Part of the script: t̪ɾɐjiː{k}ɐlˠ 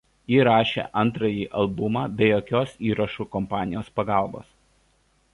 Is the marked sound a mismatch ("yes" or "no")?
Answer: yes